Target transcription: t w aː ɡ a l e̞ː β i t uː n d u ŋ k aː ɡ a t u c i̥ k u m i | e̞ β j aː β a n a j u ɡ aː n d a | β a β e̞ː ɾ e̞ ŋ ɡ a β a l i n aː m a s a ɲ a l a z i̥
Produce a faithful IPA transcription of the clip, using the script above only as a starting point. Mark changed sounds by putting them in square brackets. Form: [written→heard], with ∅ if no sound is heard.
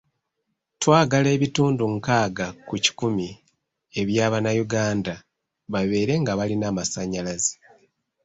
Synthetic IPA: t w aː ɡ a l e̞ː β i t uː n d u ŋ k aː ɡ a [t→k] u c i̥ k u m i | e̞ β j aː β a n a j u ɡ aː n d a | β a β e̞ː ɾ e̞ ŋ ɡ a β a l i n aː m a s a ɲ a l a z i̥